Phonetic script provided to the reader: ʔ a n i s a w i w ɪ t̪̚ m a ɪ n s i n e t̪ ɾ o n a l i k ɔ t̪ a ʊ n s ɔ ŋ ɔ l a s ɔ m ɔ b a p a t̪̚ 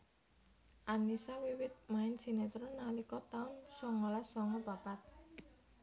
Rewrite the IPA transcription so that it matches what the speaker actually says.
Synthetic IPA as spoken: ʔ a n i s a w i w ɪ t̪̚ m a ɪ n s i n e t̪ ɾ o n a l i k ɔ t̪ a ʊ n s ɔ ŋ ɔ l a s ɔ ŋ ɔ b a p a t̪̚